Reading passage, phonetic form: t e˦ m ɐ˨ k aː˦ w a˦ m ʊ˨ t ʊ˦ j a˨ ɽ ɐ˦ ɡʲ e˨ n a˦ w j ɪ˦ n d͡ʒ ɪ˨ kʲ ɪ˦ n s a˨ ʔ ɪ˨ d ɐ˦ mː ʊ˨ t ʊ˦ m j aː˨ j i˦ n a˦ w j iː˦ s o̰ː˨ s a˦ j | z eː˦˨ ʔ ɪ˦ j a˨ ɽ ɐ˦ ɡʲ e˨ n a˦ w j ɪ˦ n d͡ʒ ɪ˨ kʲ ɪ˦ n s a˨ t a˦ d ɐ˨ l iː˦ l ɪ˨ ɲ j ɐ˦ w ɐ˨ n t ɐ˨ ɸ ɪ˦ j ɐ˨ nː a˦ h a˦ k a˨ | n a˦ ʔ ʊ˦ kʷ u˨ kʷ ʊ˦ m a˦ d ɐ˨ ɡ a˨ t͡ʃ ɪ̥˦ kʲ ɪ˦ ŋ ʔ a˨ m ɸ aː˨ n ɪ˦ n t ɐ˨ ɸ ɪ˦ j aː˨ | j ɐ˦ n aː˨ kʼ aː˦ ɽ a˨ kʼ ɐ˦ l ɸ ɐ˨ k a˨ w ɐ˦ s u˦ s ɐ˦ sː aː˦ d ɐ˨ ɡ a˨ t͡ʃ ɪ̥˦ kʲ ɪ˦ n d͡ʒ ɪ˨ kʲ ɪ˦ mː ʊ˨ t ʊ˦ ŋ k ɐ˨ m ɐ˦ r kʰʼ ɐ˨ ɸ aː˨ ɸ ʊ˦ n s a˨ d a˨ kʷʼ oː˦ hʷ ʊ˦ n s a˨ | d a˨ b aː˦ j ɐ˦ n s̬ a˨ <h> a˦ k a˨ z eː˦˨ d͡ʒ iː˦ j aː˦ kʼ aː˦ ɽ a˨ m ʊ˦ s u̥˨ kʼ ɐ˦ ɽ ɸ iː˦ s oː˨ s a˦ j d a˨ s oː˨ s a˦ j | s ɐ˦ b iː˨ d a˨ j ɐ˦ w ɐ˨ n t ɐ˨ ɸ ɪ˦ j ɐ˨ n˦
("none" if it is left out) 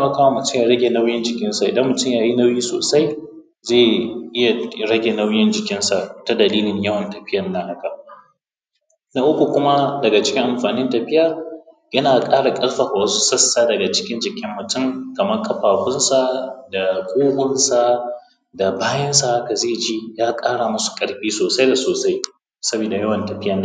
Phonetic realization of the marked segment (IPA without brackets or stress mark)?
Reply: h